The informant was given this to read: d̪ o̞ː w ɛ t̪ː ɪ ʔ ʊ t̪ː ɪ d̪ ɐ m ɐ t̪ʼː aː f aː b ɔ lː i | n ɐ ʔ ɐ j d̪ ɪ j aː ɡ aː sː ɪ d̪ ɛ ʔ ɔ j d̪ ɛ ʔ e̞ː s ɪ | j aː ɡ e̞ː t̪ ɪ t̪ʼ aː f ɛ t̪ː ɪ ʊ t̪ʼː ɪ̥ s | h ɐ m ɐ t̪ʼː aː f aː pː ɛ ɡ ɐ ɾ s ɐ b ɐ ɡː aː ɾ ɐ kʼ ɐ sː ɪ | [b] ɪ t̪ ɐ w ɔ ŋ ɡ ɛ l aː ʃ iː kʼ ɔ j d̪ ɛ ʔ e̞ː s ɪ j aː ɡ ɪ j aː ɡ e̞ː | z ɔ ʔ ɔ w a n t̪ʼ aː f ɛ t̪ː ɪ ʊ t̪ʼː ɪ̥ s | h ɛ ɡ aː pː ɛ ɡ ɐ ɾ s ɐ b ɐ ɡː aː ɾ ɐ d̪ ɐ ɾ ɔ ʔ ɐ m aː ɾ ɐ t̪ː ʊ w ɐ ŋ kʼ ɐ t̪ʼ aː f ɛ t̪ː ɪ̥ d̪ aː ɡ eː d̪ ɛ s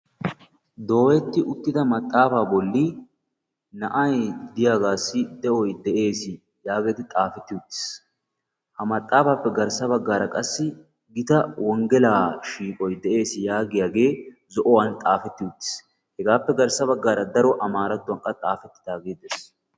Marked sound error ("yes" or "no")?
yes